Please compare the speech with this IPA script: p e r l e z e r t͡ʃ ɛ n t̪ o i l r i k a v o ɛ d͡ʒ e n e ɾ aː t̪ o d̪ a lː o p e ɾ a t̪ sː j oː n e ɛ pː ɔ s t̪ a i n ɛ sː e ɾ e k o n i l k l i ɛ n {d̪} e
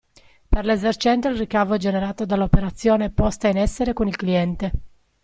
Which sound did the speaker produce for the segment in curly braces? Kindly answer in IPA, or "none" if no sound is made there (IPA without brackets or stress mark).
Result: t̪